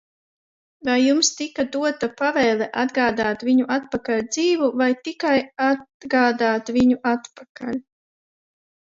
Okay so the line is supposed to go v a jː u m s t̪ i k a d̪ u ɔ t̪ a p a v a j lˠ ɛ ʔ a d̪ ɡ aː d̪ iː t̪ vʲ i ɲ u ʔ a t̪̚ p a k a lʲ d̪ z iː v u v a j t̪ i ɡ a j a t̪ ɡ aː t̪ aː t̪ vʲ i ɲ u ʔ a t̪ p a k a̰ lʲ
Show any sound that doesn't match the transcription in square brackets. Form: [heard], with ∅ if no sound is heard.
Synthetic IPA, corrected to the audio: v a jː u m s t̪ i k a d̪ u ɔ t̪ a p a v [ɛ] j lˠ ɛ ʔ a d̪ ɡ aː d̪ [aː] t̪ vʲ i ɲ u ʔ a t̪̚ p a k a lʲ d̪ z iː v u v a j t̪ i [k] a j a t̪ ɡ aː [d̪] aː t̪ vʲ i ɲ u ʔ a t̪ p a k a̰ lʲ